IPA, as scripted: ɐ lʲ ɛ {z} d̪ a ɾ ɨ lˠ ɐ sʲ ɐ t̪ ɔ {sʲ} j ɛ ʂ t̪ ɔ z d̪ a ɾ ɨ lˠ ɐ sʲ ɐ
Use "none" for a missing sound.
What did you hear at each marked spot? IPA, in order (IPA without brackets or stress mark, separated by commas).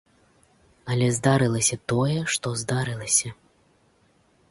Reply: z, none